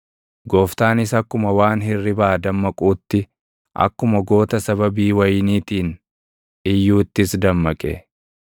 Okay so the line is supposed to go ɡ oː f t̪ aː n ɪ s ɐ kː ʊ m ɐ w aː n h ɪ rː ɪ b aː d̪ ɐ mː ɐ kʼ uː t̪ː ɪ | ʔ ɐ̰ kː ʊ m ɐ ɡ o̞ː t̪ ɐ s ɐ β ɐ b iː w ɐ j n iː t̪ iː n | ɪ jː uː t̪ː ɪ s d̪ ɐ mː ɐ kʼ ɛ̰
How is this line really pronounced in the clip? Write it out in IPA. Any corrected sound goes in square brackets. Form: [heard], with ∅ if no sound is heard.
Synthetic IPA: ɡ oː f t̪ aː n ɪ s ɐ kː ʊ m ɐ w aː n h ɪ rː ɪ b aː d̪ ɐ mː ɐ kʼ uː t̪ː ɪ | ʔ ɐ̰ kː ʊ m ɐ ɡ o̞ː t̪ ɐ s ɐ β ɐ b iː w ɐ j n iː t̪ iː n | ɪ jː uː t̪ː ɪ s d̪ ɐ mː ɐ kʼ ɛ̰